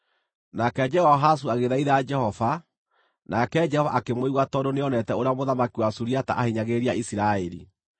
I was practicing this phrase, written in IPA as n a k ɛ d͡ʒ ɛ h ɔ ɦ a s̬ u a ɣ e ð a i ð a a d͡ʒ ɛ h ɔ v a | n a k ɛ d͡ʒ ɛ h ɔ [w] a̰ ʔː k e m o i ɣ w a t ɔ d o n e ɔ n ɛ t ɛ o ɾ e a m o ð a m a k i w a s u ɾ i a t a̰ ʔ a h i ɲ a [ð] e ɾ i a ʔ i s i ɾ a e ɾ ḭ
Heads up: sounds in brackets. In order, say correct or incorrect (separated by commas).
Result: incorrect, incorrect